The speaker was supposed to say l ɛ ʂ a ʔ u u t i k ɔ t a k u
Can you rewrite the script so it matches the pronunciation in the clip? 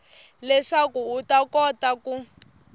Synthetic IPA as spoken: l ɛ ʂ a k u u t a k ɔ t a k u